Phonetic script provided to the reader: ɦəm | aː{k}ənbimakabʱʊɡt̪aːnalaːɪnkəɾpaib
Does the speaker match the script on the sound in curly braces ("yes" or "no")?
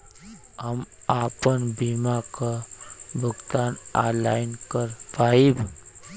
no